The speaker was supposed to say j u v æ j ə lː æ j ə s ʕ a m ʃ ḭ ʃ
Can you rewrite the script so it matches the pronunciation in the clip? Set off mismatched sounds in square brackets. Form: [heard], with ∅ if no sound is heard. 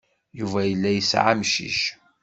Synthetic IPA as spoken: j u v æ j ə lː æ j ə s ʕ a m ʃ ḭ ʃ